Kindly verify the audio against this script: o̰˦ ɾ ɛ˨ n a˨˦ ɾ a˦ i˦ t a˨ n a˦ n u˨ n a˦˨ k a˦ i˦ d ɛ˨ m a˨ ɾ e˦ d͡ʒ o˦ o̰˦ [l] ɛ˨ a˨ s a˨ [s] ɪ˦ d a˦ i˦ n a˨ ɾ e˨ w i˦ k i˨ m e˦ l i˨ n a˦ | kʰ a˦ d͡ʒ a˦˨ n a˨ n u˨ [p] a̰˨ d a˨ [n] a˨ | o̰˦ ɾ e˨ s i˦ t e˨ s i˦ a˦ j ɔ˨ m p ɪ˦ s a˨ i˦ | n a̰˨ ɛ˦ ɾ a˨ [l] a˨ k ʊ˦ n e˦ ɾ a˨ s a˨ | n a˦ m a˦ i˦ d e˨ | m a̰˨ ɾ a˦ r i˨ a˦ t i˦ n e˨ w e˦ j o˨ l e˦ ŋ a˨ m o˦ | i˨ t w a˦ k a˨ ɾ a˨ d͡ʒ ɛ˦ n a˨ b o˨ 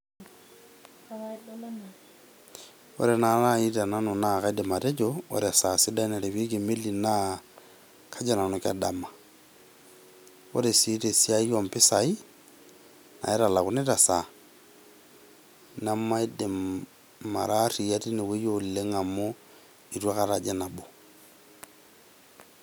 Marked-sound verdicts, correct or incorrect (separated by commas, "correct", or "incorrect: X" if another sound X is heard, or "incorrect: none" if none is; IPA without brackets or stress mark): incorrect: ɾ, correct, incorrect: k, incorrect: m, correct